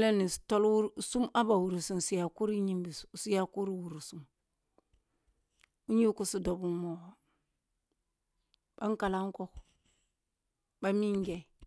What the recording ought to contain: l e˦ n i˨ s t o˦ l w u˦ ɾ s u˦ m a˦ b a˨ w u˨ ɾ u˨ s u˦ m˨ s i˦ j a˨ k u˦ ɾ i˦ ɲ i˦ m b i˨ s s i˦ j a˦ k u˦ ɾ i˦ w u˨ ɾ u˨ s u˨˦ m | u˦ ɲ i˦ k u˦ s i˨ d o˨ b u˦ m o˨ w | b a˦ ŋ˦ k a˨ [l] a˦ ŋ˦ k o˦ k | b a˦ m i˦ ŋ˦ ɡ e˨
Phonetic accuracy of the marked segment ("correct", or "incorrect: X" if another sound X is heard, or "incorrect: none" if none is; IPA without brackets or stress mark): correct